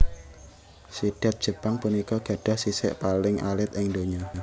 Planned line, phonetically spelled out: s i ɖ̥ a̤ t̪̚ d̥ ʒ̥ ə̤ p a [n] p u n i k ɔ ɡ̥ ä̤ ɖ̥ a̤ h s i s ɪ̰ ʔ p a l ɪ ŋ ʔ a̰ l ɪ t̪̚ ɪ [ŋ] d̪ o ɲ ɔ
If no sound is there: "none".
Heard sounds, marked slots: ŋ, ŋ

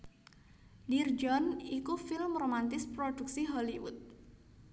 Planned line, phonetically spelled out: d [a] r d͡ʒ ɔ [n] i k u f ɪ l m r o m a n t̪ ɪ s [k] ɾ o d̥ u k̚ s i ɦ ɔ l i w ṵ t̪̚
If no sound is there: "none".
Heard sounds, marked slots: i, n, p

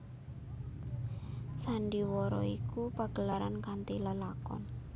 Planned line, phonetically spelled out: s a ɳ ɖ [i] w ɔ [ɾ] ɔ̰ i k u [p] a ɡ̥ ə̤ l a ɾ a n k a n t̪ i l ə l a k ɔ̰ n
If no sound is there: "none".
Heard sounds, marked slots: i, ɾ, p

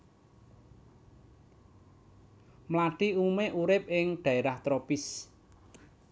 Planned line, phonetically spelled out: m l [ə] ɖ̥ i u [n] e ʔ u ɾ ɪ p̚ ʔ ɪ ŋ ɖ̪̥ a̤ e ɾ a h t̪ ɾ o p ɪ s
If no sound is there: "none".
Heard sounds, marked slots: a, m

